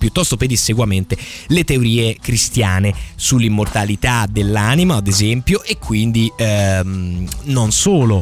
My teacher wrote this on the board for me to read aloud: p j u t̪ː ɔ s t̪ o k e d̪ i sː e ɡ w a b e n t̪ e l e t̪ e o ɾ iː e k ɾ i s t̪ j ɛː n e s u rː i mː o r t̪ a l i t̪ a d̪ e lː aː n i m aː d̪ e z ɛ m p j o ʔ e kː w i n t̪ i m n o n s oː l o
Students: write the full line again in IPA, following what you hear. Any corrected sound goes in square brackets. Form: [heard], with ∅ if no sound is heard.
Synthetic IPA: p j u t̪ː ɔ s t̪ o [p] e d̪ i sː e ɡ w a [m] e n t̪ e l e t̪ e o ɾ iː e k ɾ i s t̪ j [aː] n e s u [lː] i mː o r t̪ a l i t̪ a d̪ e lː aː n i m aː d̪ e z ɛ m p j o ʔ e kː w i n [d̪] i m n o n s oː l o